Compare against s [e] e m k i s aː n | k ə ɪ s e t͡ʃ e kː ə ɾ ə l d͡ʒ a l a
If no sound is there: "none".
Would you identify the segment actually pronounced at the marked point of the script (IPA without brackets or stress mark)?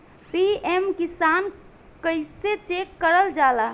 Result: i